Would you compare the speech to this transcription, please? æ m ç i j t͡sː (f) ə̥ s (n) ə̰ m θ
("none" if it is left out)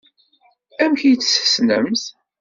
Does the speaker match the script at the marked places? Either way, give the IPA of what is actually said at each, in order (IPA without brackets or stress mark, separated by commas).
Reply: s, n